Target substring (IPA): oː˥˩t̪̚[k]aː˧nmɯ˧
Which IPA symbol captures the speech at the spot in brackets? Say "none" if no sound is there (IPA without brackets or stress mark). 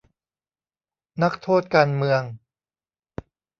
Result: k